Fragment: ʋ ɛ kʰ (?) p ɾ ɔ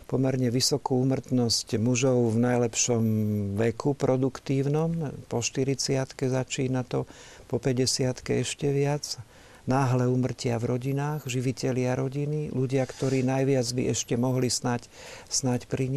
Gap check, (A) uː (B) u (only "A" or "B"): B